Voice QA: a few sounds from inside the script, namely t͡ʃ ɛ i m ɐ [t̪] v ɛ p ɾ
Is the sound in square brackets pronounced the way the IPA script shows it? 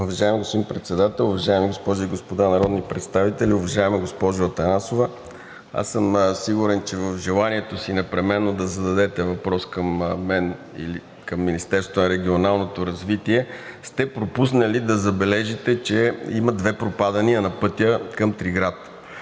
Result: no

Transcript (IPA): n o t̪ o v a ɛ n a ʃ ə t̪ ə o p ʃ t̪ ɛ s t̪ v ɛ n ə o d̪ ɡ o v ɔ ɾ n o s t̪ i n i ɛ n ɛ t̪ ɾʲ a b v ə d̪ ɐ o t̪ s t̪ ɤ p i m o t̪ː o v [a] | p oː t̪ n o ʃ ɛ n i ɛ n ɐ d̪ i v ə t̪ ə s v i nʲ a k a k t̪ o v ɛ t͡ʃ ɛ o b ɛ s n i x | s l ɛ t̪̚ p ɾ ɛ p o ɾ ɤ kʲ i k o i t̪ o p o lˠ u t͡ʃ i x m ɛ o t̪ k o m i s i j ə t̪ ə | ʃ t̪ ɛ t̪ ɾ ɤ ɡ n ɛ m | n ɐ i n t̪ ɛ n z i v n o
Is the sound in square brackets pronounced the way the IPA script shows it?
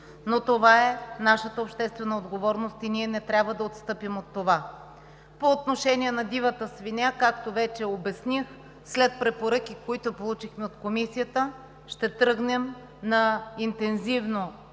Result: yes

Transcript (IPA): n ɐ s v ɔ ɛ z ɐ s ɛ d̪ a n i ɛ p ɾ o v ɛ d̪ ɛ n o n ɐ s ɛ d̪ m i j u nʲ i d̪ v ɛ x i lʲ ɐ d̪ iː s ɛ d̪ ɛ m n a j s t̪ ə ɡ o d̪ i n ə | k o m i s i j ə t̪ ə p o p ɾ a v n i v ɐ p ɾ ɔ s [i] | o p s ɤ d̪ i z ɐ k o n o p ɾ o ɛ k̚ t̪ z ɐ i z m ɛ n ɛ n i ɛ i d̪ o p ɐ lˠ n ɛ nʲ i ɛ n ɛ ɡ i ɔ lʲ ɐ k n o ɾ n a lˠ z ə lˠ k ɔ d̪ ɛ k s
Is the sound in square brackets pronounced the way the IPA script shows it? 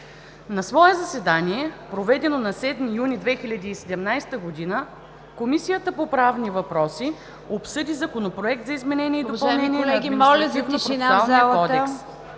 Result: yes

